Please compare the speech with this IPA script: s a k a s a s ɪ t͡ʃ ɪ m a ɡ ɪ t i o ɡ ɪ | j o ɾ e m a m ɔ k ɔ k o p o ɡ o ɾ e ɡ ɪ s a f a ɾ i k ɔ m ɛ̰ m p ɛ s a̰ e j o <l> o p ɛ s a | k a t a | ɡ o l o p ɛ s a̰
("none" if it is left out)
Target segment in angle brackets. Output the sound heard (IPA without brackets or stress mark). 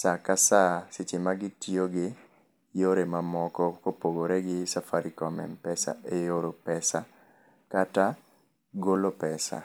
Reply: ɾ